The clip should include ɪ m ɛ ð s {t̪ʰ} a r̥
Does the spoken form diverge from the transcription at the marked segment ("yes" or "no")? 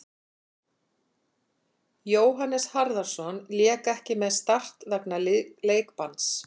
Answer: yes